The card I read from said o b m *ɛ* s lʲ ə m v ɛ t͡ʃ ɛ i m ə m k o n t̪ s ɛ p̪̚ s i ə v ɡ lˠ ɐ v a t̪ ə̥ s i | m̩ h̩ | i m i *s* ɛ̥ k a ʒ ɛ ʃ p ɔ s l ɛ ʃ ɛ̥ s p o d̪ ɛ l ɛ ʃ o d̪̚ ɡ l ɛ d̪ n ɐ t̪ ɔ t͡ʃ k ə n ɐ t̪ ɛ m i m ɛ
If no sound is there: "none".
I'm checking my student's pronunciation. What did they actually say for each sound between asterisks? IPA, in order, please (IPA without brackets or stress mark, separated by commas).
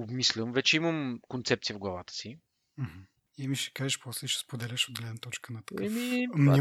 i, ʃ